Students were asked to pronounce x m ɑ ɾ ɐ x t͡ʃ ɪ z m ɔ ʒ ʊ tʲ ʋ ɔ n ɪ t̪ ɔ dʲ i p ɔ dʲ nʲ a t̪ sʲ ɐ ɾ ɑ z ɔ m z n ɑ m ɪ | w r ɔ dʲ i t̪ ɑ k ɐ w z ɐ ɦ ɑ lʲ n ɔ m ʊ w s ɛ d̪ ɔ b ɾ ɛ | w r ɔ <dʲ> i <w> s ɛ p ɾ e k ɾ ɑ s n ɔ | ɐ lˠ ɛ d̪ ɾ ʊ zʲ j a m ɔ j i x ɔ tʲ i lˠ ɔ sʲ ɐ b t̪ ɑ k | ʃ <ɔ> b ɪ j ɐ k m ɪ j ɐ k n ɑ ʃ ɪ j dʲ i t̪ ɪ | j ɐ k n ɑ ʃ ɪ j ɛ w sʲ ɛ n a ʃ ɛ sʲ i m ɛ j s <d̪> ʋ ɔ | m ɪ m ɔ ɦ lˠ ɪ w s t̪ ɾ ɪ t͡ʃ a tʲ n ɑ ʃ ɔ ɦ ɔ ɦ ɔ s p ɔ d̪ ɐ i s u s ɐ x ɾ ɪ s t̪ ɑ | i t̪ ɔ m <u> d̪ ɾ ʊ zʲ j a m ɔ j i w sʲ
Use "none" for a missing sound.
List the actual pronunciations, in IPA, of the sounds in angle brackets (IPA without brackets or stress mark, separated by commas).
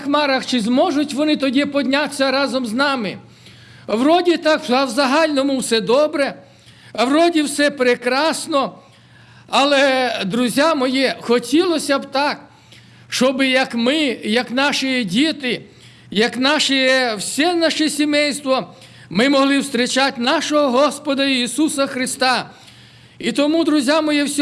dʲ, w, ɔ, t̪, u